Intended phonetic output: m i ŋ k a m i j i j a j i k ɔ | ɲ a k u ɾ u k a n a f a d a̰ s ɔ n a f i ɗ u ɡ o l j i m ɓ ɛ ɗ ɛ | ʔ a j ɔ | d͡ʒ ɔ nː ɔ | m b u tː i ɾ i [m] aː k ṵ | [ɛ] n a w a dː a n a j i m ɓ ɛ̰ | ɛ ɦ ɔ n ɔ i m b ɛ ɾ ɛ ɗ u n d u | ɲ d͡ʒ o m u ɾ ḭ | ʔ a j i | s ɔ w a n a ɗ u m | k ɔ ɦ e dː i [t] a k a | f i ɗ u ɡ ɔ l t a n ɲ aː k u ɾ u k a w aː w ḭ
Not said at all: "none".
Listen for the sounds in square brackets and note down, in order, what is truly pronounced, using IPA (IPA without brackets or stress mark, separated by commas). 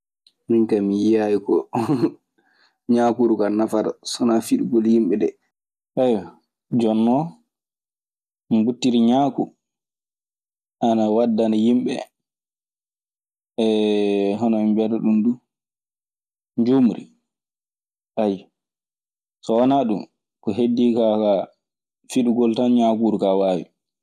ɲ, a, k